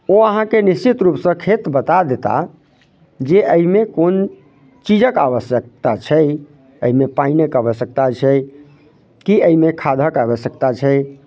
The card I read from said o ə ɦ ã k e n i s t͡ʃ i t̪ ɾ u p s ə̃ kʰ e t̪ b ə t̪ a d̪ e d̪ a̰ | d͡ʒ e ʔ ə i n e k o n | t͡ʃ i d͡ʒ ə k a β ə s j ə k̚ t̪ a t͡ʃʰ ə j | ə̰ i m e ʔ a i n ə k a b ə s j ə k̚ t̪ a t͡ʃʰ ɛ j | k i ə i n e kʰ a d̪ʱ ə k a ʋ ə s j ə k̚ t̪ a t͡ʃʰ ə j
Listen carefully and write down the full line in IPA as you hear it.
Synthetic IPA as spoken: o ə ɦ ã k e n i s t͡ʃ i t̪ ɾ u p s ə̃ kʰ e t̪ b ə t̪ a d̪ e t̪ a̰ | d͡ʒ e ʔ ə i m e k o n | t͡ʃ i d͡ʒ ə k a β ə s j ə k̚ t̪ a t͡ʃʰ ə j | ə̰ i m e p a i n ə k a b ə s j ə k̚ t̪ a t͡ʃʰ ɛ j | k i ə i m e kʰ a d̪ʱ ə k a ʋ ə s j ə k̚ t̪ a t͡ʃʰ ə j